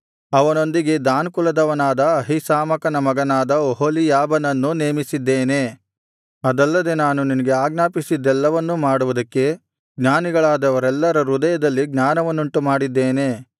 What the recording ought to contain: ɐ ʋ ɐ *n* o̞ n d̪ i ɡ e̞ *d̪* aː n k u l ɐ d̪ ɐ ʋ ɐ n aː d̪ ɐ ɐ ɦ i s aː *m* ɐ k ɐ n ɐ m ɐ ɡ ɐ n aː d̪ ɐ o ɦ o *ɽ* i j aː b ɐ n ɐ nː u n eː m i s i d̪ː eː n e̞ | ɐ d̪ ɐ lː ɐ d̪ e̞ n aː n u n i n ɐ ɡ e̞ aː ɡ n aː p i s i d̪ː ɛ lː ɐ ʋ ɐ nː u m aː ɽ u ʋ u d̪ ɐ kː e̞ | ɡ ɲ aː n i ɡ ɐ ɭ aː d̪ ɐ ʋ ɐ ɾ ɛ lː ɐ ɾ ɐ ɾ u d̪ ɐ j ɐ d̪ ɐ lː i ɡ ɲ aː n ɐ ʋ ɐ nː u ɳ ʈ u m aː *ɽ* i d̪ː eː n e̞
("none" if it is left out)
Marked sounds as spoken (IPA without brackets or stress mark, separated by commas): n, d̪, m, l, ɽ